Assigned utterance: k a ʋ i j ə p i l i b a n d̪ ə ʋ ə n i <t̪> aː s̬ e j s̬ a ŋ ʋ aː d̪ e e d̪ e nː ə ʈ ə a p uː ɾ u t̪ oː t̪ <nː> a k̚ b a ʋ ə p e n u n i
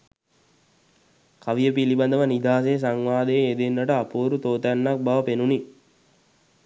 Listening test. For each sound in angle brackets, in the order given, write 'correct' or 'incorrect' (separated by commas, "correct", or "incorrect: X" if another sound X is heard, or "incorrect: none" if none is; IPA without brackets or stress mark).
incorrect: d̪, correct